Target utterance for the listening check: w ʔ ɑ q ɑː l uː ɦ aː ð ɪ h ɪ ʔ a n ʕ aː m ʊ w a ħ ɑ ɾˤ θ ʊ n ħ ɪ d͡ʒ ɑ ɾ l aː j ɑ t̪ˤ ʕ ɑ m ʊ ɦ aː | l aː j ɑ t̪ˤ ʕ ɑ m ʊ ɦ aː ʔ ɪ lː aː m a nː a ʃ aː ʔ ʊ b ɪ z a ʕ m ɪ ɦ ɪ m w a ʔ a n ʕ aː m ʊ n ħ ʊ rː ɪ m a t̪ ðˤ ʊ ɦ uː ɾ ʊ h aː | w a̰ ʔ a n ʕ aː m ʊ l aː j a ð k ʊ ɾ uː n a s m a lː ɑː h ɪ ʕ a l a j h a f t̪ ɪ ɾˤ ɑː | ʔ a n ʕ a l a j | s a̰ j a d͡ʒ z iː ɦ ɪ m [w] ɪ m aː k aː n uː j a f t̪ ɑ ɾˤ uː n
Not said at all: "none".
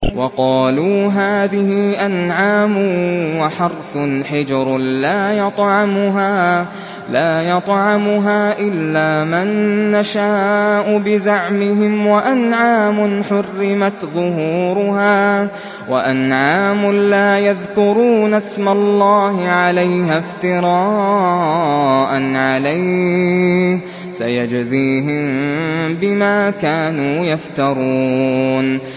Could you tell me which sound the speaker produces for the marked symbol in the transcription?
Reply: b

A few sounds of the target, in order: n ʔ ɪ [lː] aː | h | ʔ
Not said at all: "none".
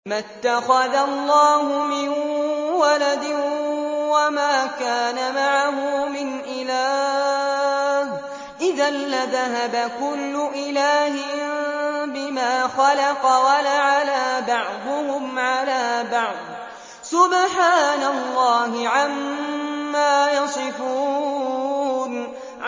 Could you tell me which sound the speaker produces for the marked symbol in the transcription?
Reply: l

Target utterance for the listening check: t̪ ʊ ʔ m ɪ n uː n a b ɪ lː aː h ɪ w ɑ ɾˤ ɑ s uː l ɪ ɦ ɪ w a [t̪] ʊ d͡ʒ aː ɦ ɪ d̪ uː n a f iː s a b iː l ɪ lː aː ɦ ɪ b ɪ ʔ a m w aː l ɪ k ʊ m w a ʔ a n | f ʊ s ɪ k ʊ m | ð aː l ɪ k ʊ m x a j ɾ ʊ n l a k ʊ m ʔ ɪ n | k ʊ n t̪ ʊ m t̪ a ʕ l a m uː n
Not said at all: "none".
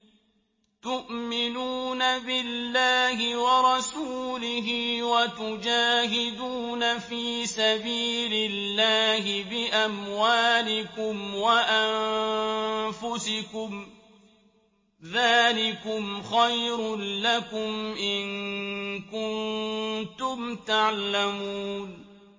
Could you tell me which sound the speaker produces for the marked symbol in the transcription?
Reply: t̪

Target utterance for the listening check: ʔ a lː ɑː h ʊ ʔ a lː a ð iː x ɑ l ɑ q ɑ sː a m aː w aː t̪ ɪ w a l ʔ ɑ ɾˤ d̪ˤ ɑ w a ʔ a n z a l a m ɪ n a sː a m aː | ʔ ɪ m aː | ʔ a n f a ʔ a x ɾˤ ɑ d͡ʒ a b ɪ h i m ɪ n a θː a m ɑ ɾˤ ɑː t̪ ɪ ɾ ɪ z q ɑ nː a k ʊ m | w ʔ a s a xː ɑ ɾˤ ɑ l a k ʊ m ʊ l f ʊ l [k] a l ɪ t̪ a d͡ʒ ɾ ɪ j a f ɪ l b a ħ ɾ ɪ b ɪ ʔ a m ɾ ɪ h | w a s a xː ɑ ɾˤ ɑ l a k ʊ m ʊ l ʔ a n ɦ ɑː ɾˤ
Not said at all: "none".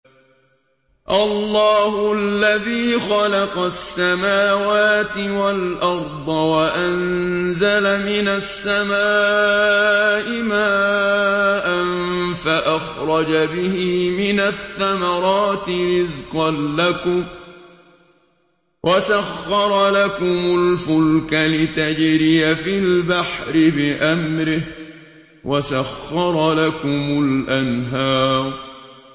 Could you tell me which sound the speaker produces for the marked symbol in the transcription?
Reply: k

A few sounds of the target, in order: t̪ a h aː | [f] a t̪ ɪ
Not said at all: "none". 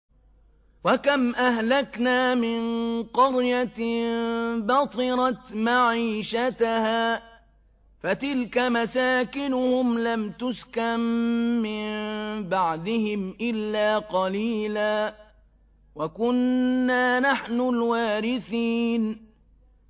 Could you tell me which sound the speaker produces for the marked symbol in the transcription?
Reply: f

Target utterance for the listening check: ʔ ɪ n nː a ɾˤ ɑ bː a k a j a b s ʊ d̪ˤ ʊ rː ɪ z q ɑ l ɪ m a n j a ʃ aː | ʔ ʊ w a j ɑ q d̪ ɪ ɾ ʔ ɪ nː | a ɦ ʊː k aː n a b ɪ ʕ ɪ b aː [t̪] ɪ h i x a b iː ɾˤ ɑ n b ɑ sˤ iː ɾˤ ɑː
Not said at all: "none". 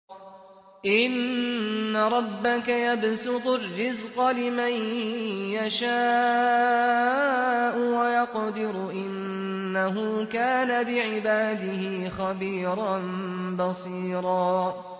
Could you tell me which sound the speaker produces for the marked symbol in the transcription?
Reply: d̪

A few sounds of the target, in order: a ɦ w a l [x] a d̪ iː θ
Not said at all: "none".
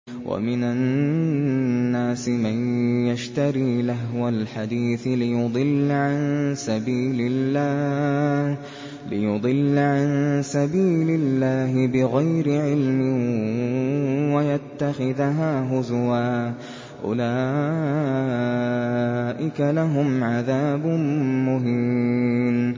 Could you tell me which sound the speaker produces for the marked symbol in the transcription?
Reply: ħ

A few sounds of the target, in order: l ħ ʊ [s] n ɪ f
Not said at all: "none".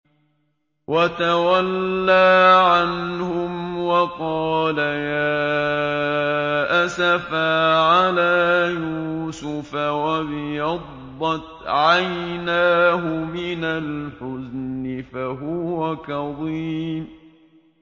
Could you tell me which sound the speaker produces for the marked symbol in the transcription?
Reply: z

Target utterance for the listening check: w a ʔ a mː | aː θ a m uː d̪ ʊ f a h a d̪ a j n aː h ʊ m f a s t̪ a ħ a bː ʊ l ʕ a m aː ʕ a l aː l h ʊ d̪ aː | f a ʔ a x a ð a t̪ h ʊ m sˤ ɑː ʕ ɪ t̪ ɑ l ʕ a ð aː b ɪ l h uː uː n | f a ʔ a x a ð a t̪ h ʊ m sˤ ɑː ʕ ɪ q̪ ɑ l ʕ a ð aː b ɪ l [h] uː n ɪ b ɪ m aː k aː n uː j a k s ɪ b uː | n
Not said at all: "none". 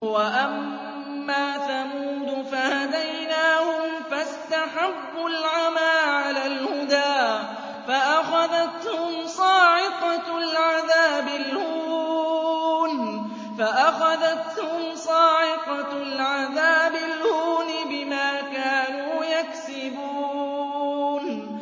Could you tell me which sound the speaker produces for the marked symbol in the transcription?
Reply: h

